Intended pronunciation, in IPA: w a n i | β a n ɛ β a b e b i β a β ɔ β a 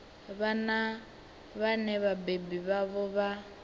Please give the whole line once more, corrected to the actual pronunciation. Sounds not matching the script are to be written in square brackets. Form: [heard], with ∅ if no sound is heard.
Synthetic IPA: [β] a n [a] | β a n ɛ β a b e b i β a β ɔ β a